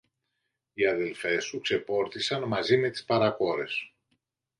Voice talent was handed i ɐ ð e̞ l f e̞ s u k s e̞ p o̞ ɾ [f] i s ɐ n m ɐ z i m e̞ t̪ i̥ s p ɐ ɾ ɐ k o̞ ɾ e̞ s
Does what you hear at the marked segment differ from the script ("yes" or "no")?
yes